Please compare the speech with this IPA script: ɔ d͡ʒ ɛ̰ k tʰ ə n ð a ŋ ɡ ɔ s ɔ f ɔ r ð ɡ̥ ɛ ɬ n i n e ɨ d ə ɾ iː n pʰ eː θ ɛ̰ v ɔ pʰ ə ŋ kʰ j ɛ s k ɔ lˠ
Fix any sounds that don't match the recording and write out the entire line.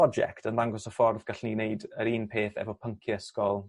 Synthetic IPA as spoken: ɔ d͡ʒ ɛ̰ k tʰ ə n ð a ŋ ɡ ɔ s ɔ f ɔ r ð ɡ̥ a ɬ n i n e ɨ d ə ɾ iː n pʰ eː θ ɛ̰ v ɔ pʰ ə ŋ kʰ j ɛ s k ɔ lˠ